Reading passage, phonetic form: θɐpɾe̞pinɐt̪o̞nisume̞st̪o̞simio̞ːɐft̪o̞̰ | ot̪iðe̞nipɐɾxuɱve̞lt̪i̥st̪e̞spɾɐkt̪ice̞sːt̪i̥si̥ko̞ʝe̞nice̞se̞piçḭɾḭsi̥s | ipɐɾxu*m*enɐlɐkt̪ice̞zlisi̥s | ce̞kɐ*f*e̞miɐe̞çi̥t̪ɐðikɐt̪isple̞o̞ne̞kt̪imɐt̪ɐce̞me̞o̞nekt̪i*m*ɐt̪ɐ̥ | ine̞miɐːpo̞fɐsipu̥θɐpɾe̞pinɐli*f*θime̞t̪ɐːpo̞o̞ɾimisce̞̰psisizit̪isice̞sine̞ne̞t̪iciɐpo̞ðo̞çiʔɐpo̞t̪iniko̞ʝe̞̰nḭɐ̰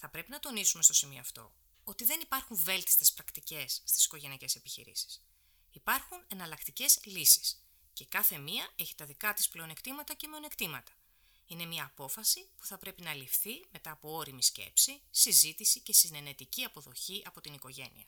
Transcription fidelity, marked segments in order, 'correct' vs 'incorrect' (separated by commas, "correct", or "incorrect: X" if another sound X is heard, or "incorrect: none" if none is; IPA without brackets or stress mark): incorrect: n, incorrect: θ, correct, correct